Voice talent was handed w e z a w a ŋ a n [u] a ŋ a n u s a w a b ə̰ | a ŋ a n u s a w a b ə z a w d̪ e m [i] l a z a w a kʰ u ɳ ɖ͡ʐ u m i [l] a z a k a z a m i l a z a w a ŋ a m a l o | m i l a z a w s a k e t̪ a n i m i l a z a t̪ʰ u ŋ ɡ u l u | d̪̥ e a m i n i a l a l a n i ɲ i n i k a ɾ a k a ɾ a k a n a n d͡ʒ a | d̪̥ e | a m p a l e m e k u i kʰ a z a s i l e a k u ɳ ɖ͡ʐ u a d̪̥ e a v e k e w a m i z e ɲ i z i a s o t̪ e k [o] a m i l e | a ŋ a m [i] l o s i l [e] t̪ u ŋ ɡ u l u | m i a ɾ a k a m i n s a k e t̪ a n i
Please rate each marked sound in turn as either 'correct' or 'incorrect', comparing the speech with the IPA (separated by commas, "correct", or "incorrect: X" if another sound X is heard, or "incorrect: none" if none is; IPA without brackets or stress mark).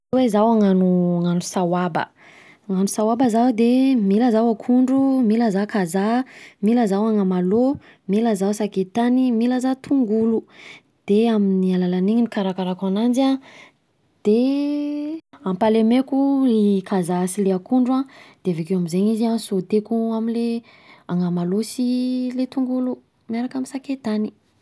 correct, correct, correct, incorrect: u, incorrect: a, correct